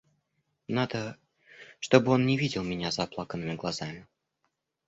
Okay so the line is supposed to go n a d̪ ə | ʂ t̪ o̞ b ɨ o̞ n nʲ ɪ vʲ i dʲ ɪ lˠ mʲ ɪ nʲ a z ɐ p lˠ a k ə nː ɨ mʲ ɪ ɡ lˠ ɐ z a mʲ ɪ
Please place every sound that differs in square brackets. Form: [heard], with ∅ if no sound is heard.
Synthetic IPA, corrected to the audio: n a d̪ ə | ʂ t̪ o̞ b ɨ o̞ n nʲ ɪ vʲ i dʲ ɪ lˠ mʲ ɪ nʲ a z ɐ p lˠ a k ə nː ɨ mʲ ɪ ɡ lˠ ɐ z a mʲ ɪ